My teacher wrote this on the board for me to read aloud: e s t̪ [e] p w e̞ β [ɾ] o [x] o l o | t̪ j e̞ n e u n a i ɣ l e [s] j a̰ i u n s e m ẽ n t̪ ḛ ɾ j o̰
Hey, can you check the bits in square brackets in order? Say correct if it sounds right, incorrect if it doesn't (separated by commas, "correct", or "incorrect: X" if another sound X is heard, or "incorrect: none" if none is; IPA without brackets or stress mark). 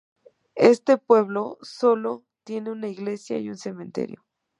correct, incorrect: l, incorrect: s, correct